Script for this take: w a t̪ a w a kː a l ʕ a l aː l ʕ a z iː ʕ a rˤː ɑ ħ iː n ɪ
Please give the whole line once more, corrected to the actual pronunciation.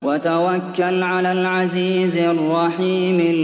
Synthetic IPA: w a t̪ a w a kː a l ʕ a l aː l ʕ a z iː z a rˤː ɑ ħ iː m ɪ